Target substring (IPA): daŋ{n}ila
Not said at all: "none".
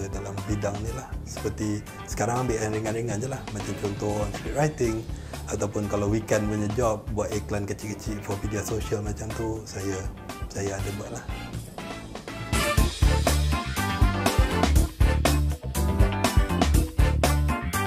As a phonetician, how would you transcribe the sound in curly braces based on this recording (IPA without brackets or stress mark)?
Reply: n